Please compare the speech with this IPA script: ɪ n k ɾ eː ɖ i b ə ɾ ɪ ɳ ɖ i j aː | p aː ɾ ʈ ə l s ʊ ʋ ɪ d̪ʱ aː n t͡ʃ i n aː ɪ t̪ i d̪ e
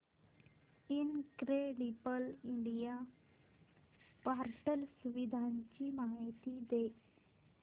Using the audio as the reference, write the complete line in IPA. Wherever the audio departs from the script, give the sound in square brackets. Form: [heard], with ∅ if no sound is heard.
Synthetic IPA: ɪ n k ɾ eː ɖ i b ə [l] ɪ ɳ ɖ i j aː | p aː ɾ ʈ ə l s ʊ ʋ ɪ d̪ʱ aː n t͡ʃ i [m] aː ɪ t̪ i d̪ e